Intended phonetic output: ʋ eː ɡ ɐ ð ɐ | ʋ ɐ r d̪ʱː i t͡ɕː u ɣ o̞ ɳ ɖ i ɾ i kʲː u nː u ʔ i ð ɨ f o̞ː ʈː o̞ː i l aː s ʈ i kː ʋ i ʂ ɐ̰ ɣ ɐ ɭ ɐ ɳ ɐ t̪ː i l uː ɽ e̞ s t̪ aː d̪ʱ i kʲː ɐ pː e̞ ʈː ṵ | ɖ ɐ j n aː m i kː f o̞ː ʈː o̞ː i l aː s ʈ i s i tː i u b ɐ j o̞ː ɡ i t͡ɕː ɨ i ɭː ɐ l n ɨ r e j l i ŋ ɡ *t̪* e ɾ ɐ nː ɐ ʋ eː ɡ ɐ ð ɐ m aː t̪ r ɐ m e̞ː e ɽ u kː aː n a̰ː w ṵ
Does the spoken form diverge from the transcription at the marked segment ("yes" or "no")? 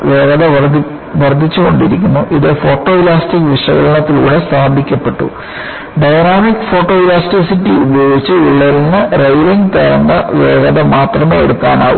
no